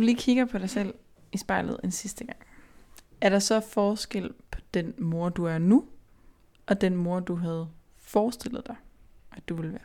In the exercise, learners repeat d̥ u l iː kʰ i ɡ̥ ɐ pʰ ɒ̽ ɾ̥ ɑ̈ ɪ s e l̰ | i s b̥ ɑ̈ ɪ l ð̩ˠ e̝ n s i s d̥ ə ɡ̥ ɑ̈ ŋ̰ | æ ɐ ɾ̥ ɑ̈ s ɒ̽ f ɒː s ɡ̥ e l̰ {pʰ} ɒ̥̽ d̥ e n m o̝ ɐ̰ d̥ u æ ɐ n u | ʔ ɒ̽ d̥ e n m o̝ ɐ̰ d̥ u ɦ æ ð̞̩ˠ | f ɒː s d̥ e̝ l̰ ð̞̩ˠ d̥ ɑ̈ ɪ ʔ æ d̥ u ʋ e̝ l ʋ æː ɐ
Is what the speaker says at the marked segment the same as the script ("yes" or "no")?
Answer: yes